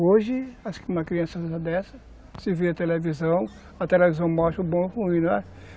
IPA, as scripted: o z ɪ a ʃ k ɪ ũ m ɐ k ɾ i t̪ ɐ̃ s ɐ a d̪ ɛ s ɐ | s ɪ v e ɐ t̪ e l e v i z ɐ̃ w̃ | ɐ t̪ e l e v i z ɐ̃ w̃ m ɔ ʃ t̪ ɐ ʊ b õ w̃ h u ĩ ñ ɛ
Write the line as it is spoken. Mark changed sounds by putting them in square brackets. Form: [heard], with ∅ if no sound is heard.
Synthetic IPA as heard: o [ʒ] ɪ a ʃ k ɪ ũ m ɐ k ɾ i [∅] ɐ̃ s ɐ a d̪ ɛ s ɐ | s ɪ v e ɐ t̪ e l e v i z ɐ̃ w̃ | ɐ t̪ e l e v i z ɐ̃ w̃ m ɔ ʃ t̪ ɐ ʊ b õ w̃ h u ĩ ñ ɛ